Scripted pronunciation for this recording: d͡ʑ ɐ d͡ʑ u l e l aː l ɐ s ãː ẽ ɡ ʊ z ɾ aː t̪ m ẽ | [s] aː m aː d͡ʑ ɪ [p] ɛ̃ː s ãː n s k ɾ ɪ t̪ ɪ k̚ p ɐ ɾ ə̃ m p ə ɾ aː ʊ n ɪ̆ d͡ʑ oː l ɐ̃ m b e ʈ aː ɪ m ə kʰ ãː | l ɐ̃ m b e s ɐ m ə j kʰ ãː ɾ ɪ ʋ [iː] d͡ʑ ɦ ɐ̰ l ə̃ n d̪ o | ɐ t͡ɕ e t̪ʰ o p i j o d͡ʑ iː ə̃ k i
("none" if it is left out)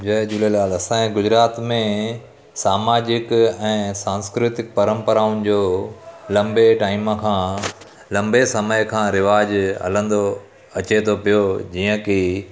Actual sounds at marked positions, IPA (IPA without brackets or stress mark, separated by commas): s, k, aː